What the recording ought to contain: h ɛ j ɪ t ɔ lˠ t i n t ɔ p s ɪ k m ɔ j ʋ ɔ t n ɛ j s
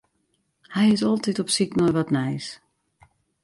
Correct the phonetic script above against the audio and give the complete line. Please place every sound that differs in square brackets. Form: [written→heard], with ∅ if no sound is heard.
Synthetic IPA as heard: h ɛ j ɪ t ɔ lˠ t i [n→∅] t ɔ p s [ɪ→i] k [m→n] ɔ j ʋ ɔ t n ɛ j s